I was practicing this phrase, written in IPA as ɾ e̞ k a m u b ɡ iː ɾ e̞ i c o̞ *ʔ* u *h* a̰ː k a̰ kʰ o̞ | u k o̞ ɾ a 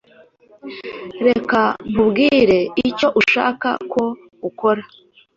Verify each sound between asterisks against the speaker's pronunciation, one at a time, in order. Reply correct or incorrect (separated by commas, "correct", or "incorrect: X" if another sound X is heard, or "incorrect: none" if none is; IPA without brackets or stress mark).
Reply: correct, incorrect: ʃ